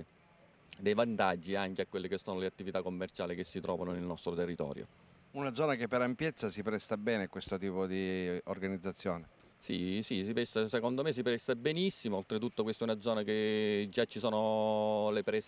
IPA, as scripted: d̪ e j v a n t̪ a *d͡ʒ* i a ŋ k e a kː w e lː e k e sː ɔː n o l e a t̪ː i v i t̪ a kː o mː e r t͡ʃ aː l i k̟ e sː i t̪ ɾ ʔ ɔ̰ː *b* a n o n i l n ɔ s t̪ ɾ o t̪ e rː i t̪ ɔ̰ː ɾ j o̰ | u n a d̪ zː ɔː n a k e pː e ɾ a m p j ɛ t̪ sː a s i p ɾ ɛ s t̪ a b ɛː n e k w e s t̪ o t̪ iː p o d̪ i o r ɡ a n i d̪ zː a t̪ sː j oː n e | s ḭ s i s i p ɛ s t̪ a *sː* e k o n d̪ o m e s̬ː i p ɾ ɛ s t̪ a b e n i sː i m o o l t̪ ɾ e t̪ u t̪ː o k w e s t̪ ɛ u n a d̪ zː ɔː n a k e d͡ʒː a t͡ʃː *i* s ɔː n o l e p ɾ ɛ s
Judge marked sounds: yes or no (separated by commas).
no, no, no, yes